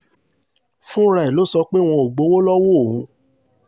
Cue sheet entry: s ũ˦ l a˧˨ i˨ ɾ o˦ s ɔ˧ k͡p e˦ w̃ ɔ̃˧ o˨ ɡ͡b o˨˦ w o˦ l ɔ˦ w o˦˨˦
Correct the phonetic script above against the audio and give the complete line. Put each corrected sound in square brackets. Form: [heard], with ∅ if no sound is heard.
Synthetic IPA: [f] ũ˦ [ɾ] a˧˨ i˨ [l] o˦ s ɔ˧ k͡p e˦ w̃ ɔ̃˧ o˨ ɡ͡b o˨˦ w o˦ l ɔ˦ w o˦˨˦